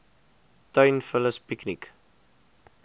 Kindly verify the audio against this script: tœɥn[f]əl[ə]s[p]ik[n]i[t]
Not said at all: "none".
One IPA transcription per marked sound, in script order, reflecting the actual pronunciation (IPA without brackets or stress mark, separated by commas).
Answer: f, ə, p, n, k